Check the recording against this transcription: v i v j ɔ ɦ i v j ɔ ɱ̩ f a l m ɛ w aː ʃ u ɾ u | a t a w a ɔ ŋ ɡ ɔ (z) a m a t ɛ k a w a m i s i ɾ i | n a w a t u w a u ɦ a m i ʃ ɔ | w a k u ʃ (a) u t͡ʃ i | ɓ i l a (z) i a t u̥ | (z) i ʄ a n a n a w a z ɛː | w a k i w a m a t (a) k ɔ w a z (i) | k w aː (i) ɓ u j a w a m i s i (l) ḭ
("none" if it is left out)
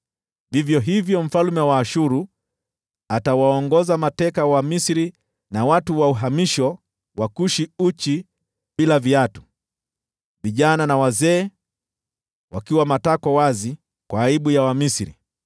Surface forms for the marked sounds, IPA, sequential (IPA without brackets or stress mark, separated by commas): z, i, v, v, a, i, i, ɾ